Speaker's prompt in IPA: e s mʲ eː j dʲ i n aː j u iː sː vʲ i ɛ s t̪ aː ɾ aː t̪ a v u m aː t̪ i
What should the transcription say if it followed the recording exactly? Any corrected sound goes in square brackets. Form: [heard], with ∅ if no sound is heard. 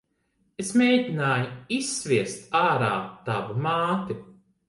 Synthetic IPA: e s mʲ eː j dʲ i n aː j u [i] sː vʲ i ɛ s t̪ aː ɾ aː t̪ a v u m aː t̪ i